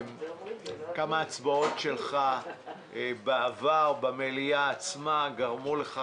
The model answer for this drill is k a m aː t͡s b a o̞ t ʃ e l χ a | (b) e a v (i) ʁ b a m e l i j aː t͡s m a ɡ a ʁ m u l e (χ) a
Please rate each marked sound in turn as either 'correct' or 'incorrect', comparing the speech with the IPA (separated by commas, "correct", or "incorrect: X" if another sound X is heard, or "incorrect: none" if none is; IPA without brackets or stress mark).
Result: correct, incorrect: a, correct